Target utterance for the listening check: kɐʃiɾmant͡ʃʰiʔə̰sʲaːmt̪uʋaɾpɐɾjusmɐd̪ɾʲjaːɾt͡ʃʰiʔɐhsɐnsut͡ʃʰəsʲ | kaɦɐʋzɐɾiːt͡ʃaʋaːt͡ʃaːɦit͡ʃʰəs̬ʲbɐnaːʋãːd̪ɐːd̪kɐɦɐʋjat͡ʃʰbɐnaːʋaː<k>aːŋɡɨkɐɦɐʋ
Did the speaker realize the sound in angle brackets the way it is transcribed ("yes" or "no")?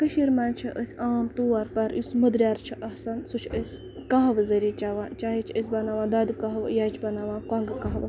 yes